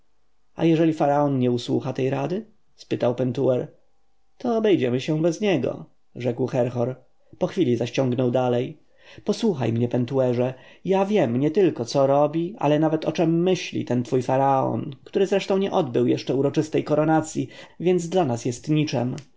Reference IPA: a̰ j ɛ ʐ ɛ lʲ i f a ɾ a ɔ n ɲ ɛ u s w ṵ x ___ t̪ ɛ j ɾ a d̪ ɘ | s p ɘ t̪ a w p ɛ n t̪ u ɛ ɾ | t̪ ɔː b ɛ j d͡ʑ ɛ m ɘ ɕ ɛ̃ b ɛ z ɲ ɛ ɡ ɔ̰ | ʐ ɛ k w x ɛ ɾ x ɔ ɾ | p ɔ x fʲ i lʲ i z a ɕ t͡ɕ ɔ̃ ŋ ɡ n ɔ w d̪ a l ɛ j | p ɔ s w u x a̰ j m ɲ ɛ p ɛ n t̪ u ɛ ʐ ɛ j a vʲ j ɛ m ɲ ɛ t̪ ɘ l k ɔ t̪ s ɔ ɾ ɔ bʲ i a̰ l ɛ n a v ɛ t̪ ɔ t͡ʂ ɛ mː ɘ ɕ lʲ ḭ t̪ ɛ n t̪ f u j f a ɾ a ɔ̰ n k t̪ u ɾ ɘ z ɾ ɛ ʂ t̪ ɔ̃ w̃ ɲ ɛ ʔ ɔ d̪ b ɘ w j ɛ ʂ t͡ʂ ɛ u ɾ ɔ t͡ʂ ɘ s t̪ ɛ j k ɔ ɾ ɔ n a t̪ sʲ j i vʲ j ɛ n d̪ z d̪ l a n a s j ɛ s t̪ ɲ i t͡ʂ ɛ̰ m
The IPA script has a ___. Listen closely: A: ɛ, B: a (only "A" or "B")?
B